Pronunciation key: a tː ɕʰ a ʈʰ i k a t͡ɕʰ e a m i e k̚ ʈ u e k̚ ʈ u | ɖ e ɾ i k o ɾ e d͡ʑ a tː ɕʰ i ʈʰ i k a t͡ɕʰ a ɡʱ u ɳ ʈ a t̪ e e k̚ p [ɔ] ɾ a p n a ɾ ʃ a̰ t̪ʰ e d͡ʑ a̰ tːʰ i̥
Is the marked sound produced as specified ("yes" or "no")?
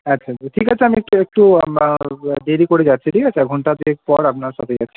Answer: yes